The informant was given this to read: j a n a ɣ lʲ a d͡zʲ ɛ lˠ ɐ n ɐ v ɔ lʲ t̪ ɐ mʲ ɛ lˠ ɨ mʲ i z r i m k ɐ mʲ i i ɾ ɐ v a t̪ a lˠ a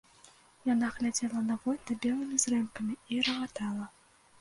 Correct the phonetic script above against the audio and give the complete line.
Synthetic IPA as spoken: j a n a ɣ lʲ a d͡zʲ ɛ lˠ ɐ n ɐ v ɔ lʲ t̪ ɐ bʲ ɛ lˠ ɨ mʲ i z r ɛ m k ɐ mʲ i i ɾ ɐ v a t̪ a lˠ ɐ

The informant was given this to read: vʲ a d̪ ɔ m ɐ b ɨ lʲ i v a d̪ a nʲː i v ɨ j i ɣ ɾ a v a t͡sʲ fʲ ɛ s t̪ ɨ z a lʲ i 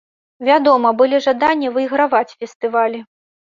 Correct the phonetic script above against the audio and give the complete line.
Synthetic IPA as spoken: vʲ a d̪ ɔ m ɐ b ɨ lʲ i ʐ a d̪ a nʲː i v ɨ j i ɣ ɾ a v a t͡sʲ fʲ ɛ s t̪ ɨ v a lʲ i

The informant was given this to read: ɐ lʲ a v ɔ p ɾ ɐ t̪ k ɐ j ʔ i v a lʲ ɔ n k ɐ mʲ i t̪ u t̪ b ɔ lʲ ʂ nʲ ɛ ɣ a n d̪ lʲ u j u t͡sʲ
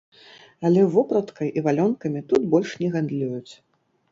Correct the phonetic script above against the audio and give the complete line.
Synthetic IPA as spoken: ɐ lʲ ɛ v ɔ p ɾ ɐ t̪ k ɐ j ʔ i v a lʲ ɔ n k ɐ mʲ i t̪ u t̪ b ɔ lʲ ʂ nʲ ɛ ɣ a n d̪ lʲ u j u t͡sʲ

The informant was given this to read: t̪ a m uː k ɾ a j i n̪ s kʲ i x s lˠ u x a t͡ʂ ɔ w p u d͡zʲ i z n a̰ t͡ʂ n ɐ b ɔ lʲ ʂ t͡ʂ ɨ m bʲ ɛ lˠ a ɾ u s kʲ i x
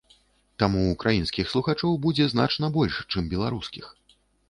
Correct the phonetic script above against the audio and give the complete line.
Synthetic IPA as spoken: t̪ a m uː k ɾ a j i n̪ s kʲ i x s lˠ u x a t͡ʂ ɔ w b u d͡zʲ ɛ z n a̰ t͡ʂ n ɐ b ɔ lʲ ʂ t͡ʂ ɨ m bʲ ɛ lˠ a ɾ u s kʲ i x

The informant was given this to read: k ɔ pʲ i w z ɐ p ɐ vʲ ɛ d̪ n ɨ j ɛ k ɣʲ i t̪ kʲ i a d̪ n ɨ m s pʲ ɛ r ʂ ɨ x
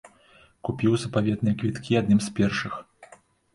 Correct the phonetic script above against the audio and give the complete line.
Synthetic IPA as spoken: k u pʲ i w z ɐ p a vʲ ɛ d̪ n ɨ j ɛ k vʲ i t̪ kʲ i a d̪ n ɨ m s pʲ ɛ r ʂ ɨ x

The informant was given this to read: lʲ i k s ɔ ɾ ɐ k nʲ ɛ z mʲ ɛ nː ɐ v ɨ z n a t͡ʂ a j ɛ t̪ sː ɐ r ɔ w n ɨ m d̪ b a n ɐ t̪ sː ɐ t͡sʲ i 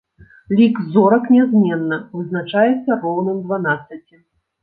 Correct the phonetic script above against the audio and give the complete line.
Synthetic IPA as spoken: lʲ i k z ɔ ɾ ɐ k nʲ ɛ z mʲ ɛ nː ɐ v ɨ z n a t͡ʂ a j ɛ t̪ sː ɐ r ɔ w n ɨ m d̪ v a n a t̪ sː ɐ t͡sʲ i

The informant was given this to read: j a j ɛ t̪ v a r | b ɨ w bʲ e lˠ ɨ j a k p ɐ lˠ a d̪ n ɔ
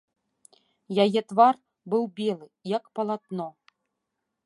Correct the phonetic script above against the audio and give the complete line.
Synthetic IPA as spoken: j a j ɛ t̪ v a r | b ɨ w bʲ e lˠ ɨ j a k p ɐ lˠ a t̪ n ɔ

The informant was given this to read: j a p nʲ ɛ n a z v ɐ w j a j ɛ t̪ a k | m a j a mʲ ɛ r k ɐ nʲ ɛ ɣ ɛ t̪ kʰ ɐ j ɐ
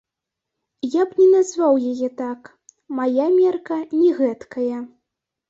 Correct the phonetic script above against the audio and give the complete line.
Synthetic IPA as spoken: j a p nʲ ɛ n a z v a w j a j ɛ t̪ a k | m a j a mʲ ɛ r k ɐ nʲ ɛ ɣ ɛ t̪ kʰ ɐ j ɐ

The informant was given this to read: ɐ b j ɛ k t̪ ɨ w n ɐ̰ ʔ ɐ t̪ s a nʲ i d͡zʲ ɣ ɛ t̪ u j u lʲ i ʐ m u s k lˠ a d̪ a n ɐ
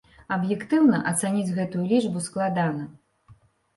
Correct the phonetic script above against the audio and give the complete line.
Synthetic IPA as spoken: ɐ b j ɛ k t̪ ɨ w n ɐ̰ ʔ ɐ t̪ s a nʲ i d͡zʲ ɣ ɛ t̪ u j u lʲ i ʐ b u s k lˠ a d̪ a n ɐ

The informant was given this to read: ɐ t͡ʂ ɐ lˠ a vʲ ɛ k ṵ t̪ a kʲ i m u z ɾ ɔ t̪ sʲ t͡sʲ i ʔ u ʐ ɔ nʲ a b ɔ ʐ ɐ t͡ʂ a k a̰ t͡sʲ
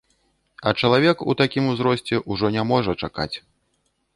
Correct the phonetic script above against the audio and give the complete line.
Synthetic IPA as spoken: ɐ t͡ʂ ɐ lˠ a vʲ ɛ k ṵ t̪ a kʲ i m u z ɾ ɔ sʲ t͡sʲ ɛ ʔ u ʐ ɔ nʲ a m ɔ ʐ ɐ t͡ʂ a k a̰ t͡sʲ

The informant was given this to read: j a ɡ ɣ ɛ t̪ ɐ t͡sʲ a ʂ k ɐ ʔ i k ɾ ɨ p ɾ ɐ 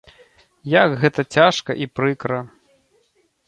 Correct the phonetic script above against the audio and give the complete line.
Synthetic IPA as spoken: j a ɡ ɣ ɛ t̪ ɐ t͡sʲ a ʂ k ɐ ʔ i p ɾ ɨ k ɾ ɐ

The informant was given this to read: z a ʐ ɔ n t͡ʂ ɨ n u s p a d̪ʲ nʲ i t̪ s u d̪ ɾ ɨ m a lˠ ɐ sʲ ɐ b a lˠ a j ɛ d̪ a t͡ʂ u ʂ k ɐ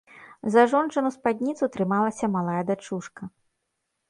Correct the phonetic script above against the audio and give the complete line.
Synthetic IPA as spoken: z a ʐ ɔ n t͡ʂ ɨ n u s p a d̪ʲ nʲ i t̪ s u t̪ ɾ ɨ m a lˠ ɐ sʲ ɐ m a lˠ a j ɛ d̪ a t͡ʂ u ʂ k ɐ

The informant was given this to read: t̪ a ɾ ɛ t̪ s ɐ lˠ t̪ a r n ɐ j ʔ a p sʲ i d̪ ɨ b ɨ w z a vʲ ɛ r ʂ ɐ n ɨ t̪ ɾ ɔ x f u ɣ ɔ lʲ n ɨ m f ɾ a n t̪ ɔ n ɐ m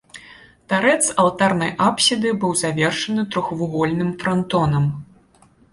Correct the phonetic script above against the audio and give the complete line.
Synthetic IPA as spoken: t̪ a ɾ ɛ t̪ s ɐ lˠ t̪ a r n ɐ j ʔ a p sʲ i d̪ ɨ b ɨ w z a vʲ ɛ r ʂ ɐ n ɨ t̪ ɾ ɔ x v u ɣ ɔ lʲ n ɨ m f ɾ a n t̪ ɔ n ɐ m

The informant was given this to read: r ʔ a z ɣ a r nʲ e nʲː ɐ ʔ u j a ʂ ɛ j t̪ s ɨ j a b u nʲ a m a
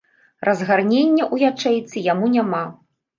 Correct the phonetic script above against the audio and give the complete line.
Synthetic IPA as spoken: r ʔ ɐ z ɣ a r nʲ e nʲː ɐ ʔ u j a t͡ʂ ɛ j t̪ s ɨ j a m u nʲ a m a

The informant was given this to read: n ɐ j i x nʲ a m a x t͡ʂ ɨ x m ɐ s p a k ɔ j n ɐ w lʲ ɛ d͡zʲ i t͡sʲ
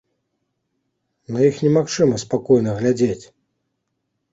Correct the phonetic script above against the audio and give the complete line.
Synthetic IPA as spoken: n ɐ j i x nʲ ɛ m a x t͡ʂ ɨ m ɐ s p a k ɔ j n ɐ ɣ lʲ a d͡zʲ e t͡sʲ

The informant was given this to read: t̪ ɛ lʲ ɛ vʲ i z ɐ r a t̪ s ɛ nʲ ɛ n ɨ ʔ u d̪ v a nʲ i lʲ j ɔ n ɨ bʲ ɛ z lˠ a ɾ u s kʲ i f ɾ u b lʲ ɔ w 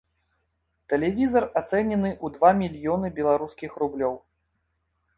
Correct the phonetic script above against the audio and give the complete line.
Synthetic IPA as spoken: t̪ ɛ lʲ ɛ vʲ i z ɐ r a t̪ s ɛ nʲ ɛ n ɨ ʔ u d̪ v a mʲ i lʲ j ɔ n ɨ bʲ ɛ lˠ a ɾ u s kʲ i x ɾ u b lʲ ɔ w

